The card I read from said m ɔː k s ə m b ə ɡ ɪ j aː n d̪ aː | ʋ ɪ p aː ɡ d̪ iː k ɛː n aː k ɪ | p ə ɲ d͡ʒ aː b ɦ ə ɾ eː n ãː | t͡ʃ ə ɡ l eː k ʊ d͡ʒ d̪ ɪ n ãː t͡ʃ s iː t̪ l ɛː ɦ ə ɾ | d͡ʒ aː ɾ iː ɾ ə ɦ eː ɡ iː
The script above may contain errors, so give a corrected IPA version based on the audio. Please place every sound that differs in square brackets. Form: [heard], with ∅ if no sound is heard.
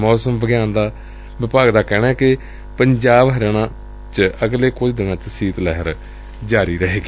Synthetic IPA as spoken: m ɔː [∅] s ə m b ə ɡ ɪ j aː n d̪ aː | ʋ ɪ p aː ɡ d̪ [aː] k ɛː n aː k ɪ | p ə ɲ d͡ʒ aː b ɦ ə ɾ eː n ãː | t͡ʃ ə ɡ l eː k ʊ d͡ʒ d̪ ɪ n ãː t͡ʃ s iː t̪ l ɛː ɦ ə ɾ | d͡ʒ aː ɾ iː ɾ ə ɦ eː ɡ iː